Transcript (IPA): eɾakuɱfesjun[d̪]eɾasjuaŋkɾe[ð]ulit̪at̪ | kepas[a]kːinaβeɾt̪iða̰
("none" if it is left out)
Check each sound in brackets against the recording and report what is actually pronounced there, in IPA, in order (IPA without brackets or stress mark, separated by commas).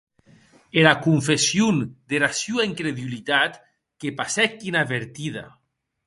d̪, ð, ɛ